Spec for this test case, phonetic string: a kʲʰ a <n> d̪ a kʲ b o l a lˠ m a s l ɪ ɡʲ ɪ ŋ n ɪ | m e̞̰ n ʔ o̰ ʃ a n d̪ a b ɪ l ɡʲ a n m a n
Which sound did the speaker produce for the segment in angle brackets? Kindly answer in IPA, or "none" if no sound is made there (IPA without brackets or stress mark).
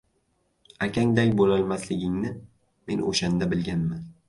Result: ŋ